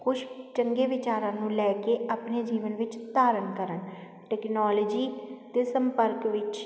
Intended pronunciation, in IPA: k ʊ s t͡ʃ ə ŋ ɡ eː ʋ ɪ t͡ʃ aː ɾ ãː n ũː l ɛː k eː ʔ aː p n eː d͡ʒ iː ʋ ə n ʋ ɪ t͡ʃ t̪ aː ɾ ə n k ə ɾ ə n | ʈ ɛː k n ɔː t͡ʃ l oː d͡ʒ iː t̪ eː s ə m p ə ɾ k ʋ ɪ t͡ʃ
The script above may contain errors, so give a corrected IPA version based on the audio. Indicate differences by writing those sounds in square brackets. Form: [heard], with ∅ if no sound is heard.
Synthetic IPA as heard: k ʊ [ʃ] t͡ʃ ə ŋ ɡ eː ʋ ɪ t͡ʃ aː ɾ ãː n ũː l ɛː k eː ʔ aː p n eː d͡ʒ iː ʋ ə n ʋ ɪ t͡ʃ t̪ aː ɾ ə n k ə ɾ ə n | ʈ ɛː k n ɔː [∅] l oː d͡ʒ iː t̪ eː s ə m p ə ɾ k ʋ ɪ t͡ʃ